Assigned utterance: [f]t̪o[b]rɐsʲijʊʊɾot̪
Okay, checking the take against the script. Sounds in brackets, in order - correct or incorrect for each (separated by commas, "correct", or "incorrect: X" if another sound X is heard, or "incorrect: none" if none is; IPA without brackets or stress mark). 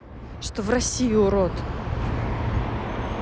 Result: incorrect: ʂ, incorrect: v